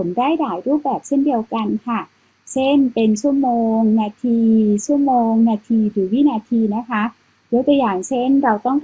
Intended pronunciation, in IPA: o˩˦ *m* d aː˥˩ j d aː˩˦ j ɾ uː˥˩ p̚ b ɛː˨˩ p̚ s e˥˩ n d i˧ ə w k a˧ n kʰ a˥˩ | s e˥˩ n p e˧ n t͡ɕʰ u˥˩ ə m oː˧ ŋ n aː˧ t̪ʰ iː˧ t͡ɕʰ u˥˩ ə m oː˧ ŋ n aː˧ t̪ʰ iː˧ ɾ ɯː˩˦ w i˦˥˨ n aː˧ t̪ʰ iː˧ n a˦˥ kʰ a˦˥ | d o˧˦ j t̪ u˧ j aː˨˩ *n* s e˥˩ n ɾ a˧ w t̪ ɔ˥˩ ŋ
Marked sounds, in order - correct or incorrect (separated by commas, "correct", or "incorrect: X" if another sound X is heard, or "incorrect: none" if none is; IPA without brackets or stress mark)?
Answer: incorrect: n, incorrect: ŋ